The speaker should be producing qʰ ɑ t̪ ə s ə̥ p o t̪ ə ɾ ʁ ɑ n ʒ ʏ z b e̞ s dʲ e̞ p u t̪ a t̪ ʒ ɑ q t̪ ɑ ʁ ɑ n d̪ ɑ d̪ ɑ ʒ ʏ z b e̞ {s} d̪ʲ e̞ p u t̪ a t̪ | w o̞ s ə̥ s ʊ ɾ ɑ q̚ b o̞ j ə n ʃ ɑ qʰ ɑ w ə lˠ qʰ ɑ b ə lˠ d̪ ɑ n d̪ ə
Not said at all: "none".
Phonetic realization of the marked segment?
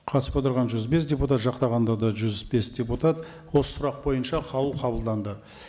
s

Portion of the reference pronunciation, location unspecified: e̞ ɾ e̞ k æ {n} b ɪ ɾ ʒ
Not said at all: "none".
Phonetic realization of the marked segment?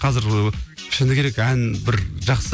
n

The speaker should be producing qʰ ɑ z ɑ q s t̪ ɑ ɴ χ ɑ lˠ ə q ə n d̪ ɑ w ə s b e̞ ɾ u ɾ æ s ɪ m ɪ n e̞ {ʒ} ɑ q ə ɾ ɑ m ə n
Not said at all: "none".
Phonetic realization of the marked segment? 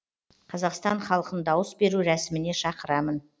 ʃ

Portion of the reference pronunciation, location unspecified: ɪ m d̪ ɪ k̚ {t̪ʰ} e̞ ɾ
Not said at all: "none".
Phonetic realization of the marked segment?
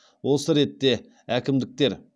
t̪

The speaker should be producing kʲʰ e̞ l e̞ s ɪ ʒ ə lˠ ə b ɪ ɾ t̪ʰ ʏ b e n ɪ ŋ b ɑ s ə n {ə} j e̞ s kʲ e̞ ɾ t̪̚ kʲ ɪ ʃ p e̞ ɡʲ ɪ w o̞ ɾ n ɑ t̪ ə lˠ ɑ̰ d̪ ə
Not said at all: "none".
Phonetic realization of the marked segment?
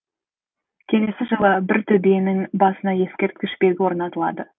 ɑ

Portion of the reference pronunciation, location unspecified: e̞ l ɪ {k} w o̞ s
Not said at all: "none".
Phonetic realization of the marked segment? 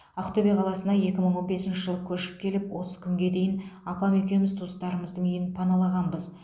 p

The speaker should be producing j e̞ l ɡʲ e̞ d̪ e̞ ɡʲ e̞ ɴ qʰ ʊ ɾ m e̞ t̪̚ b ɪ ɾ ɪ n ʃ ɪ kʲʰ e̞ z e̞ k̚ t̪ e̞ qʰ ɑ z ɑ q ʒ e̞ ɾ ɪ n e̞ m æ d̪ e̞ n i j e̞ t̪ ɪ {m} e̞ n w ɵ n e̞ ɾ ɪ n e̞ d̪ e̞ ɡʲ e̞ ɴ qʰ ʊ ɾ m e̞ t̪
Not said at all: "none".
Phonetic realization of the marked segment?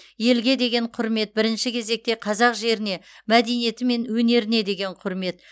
m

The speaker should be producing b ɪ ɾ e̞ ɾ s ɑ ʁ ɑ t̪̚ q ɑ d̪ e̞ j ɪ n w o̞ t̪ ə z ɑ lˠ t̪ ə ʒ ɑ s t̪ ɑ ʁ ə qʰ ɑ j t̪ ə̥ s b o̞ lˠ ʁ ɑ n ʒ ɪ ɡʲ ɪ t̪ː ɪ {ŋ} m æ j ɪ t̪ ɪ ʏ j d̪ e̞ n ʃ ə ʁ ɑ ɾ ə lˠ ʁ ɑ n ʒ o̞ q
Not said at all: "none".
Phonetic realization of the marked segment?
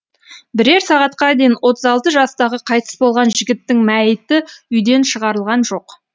ŋ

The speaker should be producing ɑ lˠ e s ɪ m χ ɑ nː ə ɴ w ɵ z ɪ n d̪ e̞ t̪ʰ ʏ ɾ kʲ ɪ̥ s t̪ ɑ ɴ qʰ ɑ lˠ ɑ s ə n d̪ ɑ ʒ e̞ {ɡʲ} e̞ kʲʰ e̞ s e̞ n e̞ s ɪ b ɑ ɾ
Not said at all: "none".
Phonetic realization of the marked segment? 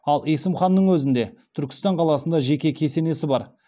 kʲ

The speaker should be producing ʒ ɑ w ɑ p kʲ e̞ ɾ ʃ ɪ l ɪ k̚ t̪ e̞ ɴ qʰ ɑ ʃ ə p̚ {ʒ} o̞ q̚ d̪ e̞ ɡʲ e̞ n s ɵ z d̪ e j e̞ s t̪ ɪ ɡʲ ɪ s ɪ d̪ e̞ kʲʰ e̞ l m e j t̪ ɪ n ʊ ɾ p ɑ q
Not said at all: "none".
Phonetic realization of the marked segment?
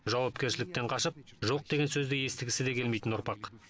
ʒ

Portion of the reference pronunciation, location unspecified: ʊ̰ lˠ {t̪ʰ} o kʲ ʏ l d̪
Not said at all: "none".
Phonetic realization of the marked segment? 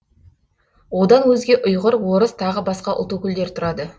t̪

